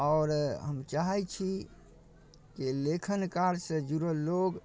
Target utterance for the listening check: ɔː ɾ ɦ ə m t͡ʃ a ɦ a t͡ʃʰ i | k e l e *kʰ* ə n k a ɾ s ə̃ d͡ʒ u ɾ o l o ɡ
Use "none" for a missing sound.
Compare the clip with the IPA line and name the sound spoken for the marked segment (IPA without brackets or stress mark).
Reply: kʰ